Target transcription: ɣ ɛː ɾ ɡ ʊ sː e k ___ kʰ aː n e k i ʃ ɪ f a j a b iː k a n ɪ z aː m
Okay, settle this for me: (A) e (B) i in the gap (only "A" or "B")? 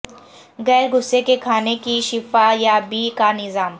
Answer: A